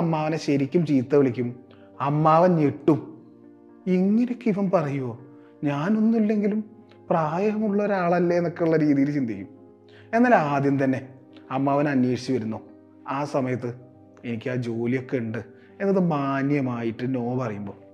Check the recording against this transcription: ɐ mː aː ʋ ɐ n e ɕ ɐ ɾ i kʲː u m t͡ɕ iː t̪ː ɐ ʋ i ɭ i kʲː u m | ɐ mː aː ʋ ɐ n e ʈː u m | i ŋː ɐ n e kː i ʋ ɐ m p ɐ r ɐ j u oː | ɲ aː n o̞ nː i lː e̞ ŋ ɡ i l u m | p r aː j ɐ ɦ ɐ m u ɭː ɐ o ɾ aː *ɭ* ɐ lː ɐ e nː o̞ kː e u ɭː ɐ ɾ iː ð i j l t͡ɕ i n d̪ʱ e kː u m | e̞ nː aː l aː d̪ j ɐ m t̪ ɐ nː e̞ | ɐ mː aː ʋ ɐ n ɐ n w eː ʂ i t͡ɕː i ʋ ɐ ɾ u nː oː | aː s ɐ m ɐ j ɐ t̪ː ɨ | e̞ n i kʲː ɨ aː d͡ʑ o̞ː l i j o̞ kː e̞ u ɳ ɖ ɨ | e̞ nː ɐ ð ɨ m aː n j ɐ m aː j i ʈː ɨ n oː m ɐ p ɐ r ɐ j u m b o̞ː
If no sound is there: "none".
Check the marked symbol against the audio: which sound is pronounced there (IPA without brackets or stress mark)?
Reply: ɭ